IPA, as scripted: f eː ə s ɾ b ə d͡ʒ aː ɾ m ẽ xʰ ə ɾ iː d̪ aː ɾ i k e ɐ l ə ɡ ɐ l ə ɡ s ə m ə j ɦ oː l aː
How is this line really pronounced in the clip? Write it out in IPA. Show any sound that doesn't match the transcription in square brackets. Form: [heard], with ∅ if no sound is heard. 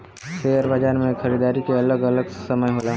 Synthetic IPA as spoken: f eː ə [∅] ɾ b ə d͡ʒ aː ɾ m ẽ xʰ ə ɾ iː d̪ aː ɾ i k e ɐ l ə ɡ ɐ l ə ɡ s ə m ə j ɦ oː l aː